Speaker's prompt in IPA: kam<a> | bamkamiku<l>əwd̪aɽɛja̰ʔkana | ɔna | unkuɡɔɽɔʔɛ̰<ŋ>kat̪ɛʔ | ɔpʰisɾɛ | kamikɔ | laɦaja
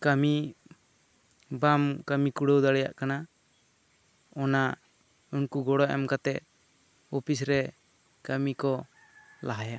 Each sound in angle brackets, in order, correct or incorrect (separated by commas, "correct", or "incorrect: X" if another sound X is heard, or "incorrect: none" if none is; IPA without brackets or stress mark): incorrect: i, incorrect: ɽ, incorrect: m